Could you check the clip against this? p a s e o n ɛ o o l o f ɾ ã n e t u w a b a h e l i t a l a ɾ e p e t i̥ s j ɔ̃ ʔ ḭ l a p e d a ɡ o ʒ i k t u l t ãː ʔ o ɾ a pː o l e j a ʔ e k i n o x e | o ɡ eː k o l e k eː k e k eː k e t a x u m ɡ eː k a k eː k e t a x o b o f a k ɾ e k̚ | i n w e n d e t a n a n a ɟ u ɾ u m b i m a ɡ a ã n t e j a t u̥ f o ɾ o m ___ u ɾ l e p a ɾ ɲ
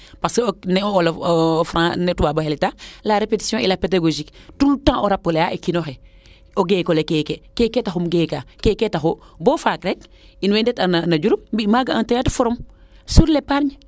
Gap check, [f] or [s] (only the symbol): s